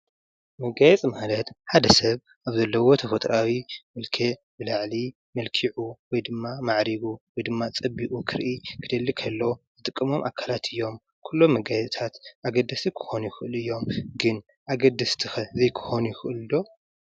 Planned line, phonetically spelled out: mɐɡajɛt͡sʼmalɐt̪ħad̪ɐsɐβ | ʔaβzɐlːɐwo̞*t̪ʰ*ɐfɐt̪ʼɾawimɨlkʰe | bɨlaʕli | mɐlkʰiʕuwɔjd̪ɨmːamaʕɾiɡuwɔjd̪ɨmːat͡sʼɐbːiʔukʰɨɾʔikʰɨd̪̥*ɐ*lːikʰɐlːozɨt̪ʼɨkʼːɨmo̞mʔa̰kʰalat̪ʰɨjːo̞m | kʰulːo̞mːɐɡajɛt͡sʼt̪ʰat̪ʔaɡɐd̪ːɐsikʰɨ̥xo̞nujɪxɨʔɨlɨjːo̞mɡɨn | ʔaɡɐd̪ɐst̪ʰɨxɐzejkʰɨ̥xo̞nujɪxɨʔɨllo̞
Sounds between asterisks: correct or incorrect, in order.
correct, correct

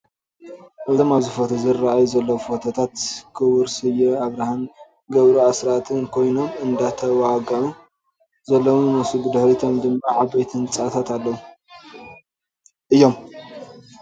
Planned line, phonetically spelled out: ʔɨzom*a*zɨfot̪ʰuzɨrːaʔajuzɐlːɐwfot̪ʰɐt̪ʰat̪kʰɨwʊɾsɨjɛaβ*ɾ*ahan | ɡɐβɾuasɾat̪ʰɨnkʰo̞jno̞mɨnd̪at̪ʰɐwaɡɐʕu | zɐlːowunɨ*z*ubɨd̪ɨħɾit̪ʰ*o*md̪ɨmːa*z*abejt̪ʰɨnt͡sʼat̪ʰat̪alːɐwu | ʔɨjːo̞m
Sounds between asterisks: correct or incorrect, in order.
correct, correct, incorrect: s, correct, incorrect: ʕ

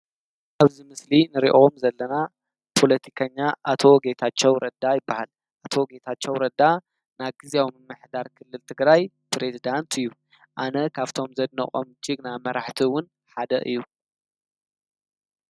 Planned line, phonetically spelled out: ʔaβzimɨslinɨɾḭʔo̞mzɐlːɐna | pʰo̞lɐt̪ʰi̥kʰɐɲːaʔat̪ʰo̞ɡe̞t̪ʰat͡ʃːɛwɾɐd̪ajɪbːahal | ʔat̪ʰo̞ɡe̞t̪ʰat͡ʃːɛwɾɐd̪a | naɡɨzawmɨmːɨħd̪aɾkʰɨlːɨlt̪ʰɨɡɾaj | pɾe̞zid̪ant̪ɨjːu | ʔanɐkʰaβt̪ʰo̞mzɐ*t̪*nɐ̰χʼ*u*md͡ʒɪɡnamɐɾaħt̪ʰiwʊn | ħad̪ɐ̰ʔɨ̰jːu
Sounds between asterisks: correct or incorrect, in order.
incorrect: d̪, incorrect: o

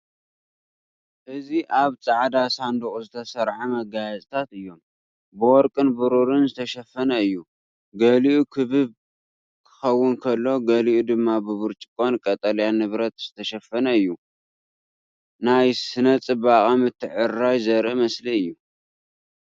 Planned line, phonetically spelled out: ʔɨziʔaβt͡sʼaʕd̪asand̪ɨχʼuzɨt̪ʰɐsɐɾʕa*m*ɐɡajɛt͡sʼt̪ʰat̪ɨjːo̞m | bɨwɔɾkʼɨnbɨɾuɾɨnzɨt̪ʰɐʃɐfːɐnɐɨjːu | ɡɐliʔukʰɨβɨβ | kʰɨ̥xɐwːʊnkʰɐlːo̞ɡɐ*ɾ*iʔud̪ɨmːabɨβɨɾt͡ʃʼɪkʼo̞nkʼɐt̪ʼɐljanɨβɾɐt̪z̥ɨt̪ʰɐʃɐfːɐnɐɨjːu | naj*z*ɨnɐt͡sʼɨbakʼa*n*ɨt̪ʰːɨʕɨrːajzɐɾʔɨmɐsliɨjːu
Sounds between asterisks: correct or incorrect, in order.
correct, incorrect: l, incorrect: s, incorrect: m

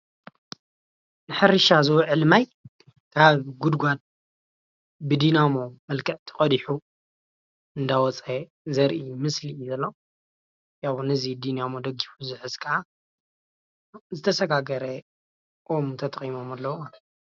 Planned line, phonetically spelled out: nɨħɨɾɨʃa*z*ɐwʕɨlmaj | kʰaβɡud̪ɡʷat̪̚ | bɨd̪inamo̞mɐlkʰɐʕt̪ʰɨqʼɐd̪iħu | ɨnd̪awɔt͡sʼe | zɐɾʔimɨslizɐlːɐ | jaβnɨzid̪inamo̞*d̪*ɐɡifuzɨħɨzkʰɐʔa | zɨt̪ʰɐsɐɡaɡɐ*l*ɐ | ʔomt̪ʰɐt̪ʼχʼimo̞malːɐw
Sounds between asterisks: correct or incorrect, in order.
correct, correct, incorrect: ɾ

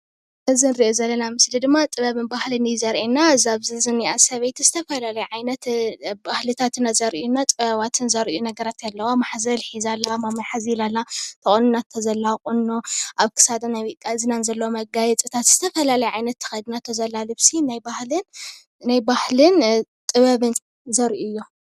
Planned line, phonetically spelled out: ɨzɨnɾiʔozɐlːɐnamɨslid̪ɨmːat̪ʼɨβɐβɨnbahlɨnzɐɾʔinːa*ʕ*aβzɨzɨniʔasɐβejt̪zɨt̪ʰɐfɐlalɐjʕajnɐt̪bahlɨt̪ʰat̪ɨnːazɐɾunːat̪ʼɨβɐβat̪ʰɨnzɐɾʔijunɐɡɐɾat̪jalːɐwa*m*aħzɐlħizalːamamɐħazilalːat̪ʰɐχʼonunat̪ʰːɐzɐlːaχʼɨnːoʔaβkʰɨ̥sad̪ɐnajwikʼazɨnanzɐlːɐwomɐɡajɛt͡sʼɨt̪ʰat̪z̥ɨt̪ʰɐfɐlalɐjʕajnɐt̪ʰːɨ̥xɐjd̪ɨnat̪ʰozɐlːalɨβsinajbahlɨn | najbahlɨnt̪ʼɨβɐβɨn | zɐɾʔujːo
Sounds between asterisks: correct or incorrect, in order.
incorrect: z, correct

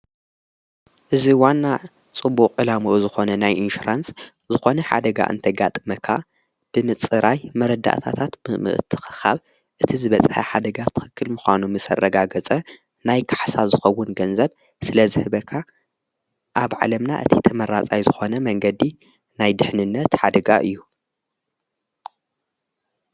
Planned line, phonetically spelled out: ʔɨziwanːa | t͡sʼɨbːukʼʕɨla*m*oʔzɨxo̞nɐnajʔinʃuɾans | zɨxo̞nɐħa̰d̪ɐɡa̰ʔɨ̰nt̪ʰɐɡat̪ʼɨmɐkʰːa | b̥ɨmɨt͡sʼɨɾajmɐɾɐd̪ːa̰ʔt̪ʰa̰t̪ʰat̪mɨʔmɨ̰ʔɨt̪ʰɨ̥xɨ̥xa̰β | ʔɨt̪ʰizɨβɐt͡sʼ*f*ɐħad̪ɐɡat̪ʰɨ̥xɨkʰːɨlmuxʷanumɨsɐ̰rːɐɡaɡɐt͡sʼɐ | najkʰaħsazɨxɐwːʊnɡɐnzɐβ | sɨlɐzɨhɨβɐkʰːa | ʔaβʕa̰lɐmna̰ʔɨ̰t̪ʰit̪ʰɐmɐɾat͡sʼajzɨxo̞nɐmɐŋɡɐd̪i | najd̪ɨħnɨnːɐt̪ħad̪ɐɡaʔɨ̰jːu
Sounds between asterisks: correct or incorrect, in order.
correct, incorrect: ħ

